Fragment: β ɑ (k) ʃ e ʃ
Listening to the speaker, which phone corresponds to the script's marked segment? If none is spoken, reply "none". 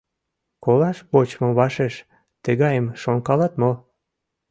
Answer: none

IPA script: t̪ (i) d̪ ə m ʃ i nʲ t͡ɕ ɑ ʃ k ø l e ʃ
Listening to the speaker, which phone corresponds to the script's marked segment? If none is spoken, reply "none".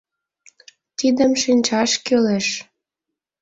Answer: i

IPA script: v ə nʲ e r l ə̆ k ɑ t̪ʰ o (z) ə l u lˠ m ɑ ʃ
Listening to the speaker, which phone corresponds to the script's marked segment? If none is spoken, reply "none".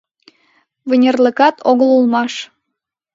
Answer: ɣ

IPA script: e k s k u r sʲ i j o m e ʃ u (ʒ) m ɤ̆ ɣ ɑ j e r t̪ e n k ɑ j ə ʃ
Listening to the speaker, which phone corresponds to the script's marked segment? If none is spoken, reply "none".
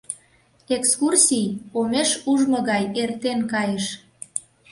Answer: ʒ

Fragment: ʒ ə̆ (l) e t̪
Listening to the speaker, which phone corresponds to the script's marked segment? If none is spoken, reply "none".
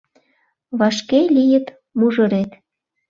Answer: ɾ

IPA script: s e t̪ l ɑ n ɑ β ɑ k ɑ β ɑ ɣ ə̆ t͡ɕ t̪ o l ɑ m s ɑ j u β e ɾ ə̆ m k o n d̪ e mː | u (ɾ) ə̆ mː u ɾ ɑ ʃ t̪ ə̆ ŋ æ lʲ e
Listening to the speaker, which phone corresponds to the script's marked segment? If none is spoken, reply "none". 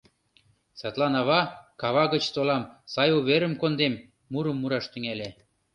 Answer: ɾ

